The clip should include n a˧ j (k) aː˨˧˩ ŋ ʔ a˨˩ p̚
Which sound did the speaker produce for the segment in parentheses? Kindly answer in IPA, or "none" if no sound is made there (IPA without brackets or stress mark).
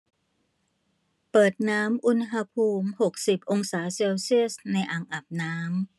ʔ